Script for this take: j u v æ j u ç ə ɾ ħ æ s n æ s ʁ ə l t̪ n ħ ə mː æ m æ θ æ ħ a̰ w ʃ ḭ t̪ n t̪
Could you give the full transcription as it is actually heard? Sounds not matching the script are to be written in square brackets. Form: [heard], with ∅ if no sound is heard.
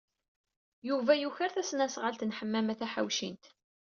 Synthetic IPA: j u v æ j u ç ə ɾ [θ] æ s n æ s ʁ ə l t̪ n ħ ə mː æ m æ θ æ ħ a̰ w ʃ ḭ [∅] n t̪